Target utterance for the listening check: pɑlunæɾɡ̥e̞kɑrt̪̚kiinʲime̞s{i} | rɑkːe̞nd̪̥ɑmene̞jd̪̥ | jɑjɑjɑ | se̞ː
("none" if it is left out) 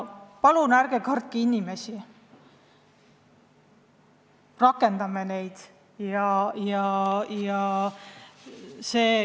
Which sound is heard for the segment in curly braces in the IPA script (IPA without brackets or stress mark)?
i